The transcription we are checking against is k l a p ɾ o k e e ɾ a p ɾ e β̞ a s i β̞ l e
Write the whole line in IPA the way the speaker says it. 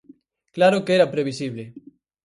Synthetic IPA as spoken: k l a ɾ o k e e ɾ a p ɾ e β̞ i s i β̞ l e